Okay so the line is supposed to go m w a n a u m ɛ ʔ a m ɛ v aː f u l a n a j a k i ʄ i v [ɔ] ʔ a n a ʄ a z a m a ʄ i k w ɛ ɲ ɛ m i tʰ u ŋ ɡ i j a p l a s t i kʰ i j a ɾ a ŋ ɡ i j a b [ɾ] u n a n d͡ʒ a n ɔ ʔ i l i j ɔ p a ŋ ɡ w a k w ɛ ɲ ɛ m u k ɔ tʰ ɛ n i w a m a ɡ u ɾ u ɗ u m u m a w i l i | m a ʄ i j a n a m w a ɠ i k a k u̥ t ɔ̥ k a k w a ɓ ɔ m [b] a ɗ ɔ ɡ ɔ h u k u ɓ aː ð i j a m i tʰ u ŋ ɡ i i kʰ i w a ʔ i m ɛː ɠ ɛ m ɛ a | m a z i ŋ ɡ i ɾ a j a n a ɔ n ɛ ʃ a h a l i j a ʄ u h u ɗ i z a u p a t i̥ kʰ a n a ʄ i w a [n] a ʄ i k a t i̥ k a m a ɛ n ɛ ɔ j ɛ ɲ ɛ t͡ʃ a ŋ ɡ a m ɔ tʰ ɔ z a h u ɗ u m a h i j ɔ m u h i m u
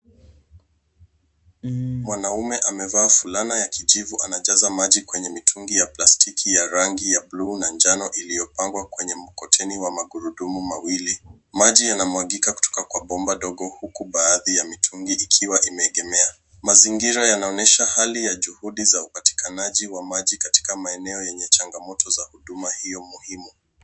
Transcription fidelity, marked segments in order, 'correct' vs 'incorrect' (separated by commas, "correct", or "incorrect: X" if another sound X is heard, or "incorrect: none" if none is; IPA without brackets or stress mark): incorrect: u, incorrect: l, correct, incorrect: m